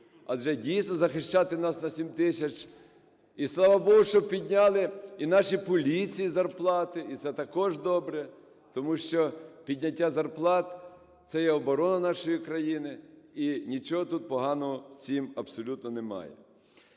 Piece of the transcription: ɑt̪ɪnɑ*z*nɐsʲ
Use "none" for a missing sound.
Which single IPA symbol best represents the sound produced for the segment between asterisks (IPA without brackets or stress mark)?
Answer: s